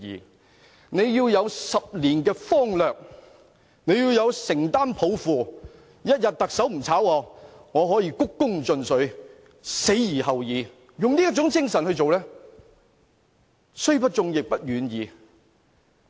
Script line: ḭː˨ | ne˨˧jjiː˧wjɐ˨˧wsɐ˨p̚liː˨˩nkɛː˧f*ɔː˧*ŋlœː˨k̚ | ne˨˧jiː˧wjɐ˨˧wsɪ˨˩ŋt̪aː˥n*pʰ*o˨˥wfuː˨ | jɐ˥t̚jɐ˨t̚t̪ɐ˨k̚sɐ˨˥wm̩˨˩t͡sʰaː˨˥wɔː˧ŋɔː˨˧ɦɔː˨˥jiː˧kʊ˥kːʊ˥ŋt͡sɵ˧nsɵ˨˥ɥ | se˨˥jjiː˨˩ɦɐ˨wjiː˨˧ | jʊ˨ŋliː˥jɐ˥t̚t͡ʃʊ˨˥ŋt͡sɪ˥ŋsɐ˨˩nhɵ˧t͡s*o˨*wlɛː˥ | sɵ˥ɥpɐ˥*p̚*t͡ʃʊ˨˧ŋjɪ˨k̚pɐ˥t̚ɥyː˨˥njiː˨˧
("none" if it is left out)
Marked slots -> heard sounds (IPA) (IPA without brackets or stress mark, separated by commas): ɔː˥, pʰ, o˨, t̚